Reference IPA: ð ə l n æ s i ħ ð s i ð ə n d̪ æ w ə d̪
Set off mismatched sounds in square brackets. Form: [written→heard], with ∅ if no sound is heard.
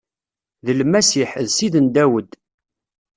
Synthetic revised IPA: ð ə l [n→m] æ s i ħ ð s i ð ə n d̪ æ w ə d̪